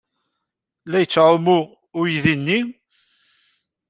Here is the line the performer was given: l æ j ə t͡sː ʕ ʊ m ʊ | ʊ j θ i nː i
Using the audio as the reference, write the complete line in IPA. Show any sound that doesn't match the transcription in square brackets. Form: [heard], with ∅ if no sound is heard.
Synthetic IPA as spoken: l æ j ə t͡sː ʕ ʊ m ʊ | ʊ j [ð] i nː i